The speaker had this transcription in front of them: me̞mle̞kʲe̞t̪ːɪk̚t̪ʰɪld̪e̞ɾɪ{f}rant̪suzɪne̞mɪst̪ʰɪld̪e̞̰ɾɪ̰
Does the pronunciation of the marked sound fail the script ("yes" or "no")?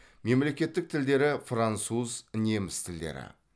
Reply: no